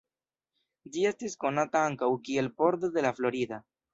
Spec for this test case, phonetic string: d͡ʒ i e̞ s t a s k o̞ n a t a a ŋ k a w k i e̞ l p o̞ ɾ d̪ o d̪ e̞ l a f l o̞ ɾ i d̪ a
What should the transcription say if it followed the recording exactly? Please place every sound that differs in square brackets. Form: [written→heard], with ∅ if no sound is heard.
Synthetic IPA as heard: d͡ʒ i e̞ s t [a→i] s k o̞ n a t a a ŋ k a w k i e̞ l p o̞ ɾ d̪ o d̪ e̞ l a f l o̞ ɾ i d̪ a